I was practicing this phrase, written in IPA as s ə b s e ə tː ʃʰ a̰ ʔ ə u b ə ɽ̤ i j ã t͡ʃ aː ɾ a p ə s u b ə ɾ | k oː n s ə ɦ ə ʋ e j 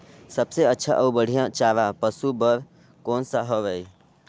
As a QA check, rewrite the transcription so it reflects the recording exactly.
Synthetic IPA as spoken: s ə b s e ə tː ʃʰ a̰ ʔ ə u b ə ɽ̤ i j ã t͡ʃ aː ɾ a p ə s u b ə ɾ | k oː n s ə ɦ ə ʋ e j